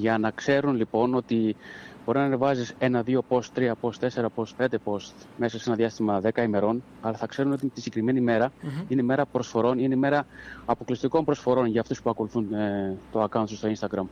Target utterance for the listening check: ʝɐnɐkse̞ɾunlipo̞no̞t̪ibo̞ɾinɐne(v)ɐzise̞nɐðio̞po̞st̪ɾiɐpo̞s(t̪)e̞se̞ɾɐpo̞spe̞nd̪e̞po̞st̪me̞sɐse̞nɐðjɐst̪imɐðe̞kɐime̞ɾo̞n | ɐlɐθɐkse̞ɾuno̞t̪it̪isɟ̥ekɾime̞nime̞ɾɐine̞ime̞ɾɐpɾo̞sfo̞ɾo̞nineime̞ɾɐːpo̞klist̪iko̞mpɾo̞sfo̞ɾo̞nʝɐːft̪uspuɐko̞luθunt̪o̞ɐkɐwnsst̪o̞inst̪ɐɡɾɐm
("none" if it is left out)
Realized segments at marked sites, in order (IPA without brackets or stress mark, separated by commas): v, t̪